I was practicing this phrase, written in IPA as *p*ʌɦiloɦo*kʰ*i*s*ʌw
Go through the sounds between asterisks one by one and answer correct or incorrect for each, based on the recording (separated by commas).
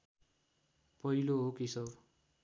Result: correct, incorrect, correct